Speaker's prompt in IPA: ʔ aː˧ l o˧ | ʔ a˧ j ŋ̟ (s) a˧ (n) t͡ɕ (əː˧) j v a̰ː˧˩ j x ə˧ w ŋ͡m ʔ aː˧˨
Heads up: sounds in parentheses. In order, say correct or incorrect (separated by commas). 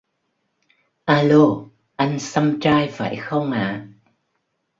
correct, incorrect, incorrect